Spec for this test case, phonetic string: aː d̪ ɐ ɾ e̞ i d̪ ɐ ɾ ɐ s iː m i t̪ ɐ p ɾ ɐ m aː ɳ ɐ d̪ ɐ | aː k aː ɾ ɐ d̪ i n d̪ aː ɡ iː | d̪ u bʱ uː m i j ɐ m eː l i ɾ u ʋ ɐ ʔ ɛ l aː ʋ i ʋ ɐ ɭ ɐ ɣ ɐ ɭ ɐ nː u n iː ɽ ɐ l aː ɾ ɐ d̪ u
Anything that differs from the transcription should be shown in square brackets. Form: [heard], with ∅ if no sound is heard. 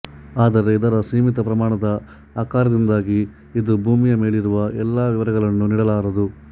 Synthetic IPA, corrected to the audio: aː d̪ ɐ ɾ e̞ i d̪ ɐ ɾ ɐ s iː m i t̪ ɐ p ɾ ɐ m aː ɳ ɐ d̪ ɐ | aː k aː ɾ ɐ d̪ i n d̪ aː ɡ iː | d̪ u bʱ uː m i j ɐ m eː [ɭ] i ɾ u ʋ ɐ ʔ ɛ [lː] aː ʋ i ʋ ɐ [ɾ] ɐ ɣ ɐ ɭ ɐ nː u n iː ɽ ɐ l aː ɾ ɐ d̪ u